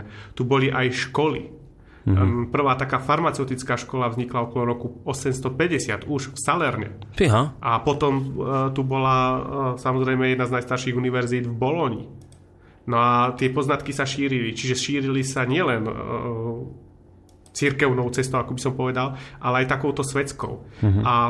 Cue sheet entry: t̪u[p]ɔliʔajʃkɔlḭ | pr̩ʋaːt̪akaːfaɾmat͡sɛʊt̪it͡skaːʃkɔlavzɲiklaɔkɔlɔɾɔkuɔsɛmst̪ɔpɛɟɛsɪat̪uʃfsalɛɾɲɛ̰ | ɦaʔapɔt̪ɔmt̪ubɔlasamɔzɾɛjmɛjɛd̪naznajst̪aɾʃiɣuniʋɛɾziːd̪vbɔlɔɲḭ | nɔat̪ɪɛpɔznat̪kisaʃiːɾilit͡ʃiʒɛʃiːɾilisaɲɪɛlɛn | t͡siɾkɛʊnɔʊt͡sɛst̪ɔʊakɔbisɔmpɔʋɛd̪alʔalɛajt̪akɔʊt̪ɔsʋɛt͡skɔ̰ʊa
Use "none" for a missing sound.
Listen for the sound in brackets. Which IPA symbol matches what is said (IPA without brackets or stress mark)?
b